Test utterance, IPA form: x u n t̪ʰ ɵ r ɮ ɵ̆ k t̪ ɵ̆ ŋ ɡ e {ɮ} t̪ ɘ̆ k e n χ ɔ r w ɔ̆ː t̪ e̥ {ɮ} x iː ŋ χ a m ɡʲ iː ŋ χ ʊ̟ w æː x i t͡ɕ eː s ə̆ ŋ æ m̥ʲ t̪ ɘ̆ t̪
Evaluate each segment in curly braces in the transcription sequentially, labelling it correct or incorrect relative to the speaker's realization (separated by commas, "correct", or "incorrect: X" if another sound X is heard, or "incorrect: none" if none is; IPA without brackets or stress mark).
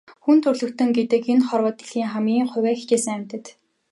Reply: incorrect: none, correct